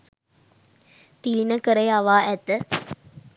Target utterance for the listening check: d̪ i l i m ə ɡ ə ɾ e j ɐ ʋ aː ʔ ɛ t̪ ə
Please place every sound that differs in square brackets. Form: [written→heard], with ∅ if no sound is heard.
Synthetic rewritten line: [d̪→t̪] i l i [m→n] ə [ɡ→k] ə ɾ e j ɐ ʋ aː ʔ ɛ t̪ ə

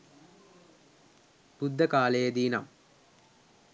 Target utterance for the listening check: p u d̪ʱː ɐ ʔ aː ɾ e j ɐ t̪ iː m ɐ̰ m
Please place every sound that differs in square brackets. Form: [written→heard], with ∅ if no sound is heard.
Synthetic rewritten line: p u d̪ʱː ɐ [ʔ→k] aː [ɾ→l] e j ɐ [t̪→d̪] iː [m→n] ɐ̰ m

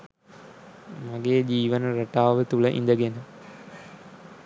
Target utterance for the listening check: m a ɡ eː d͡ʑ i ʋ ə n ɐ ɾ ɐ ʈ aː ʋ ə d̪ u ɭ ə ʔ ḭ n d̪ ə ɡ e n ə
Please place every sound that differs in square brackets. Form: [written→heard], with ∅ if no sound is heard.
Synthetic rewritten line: m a ɡ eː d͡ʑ [i→iː] ʋ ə n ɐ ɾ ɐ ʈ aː ʋ ə [d̪→t̪] u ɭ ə ʔ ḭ n d̪ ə ɡ e n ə

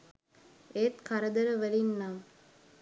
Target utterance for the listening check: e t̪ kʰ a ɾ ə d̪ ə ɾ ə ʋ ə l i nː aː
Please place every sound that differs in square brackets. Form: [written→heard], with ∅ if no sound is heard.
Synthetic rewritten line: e t̪ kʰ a ɾ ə d̪ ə ɾ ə ʋ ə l i nː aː

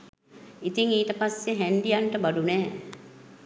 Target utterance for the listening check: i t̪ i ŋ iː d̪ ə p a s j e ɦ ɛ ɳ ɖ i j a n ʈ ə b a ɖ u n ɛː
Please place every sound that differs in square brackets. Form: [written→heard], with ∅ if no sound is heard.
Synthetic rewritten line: i t̪ i ŋ iː [d̪→t̪] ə p a s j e ɦ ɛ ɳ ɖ i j a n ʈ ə b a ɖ u n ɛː

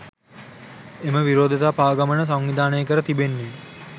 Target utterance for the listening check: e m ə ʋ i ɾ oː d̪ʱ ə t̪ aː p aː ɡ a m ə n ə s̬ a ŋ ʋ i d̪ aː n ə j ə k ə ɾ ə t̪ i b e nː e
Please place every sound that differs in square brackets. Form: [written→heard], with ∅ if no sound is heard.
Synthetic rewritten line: e m ə ʋ i ɾ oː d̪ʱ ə t̪ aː p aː ɡ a m ə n ə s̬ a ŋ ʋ i d̪ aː n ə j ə k ə ɾ ə t̪ i b e nː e

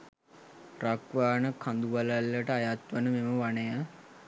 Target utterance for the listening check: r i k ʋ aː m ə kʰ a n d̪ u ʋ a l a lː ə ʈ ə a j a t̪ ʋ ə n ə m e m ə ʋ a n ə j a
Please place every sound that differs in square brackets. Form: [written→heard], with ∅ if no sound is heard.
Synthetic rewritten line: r [i→a] k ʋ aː [m→n] ə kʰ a n d̪ u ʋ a l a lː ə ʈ ə a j a t̪ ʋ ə n ə m e m ə ʋ a n ə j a

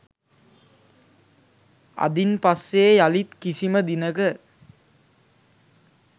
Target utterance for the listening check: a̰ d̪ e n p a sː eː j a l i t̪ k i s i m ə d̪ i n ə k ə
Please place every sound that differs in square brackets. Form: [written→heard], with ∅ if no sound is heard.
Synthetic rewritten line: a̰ d̪ [e→i] n p a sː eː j a l i t̪ k i s i m ə d̪ i n ə k ə

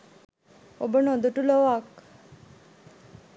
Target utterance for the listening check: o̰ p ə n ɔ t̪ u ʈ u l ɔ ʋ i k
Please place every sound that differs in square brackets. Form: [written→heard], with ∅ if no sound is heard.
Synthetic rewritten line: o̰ [p→b] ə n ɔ [t̪→d̪] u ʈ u l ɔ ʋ [i→a] k

